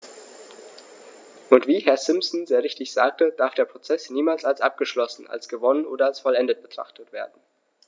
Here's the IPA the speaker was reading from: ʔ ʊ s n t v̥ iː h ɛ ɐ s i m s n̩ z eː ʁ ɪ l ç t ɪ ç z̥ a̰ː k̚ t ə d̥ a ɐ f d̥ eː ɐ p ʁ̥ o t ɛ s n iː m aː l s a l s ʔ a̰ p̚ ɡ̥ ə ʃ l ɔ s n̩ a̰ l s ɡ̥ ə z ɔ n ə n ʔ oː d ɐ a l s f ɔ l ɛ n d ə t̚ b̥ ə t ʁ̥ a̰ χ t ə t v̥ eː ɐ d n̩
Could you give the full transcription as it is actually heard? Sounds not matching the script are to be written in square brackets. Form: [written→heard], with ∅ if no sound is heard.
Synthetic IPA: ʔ ʊ [s→∅] n t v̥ iː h ɛ ɐ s [i→ɪ] m s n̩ z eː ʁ ɪ [l→∅] ç t ɪ ç z̥ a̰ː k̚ t ə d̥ a ɐ f d̥ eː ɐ p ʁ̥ o [t→t͡s] ɛ s n iː m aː l s a l s ʔ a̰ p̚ ɡ̥ ə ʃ l ɔ s n̩ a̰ l s ɡ̥ ə [z→v] ɔ n ə n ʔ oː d ɐ a l s f ɔ l ɛ n d ə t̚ b̥ ə t ʁ̥ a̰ χ t ə t v̥ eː ɐ d n̩